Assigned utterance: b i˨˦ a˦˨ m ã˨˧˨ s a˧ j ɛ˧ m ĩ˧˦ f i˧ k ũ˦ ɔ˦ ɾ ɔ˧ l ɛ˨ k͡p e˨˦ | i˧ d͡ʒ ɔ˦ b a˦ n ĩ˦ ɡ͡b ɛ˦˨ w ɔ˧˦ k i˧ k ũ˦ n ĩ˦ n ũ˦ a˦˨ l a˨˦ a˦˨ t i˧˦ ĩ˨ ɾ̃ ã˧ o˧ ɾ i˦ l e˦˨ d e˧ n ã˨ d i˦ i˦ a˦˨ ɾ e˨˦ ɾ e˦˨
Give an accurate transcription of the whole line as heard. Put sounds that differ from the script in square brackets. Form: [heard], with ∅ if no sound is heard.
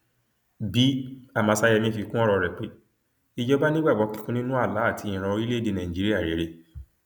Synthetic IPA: b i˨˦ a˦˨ m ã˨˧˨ s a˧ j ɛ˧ m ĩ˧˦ f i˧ k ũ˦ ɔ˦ ɾ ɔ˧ [ɾ] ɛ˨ k͡p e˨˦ | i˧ d͡ʒ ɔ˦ b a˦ n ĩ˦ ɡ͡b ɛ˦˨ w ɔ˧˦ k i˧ k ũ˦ n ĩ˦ n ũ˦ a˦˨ l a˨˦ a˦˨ t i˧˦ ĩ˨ ɾ̃ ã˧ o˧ ɾ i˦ l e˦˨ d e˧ n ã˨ [d͡ʒ] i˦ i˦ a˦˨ ɾ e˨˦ ɾ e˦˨